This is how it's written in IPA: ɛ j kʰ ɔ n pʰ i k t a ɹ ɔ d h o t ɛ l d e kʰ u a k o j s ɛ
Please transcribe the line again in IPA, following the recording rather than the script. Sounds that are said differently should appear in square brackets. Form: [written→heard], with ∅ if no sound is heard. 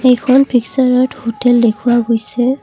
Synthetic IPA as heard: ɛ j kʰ ɔ n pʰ i k [t→s] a ɹ ɔ [d→t] h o t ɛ l d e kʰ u a [k→ɡ] o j s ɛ